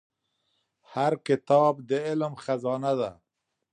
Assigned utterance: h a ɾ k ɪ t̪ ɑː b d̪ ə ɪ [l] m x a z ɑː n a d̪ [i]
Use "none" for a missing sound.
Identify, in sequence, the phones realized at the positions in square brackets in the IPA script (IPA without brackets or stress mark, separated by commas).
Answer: l, a